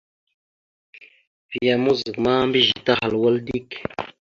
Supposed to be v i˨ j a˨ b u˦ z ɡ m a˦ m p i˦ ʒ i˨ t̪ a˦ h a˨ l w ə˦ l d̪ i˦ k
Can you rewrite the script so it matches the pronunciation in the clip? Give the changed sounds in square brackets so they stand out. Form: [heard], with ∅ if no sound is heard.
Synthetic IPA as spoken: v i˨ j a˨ [m] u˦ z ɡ m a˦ m [b] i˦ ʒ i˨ t̪ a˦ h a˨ l w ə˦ l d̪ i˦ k